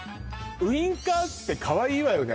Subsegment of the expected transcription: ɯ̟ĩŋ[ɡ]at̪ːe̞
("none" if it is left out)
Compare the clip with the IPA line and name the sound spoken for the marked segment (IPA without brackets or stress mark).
k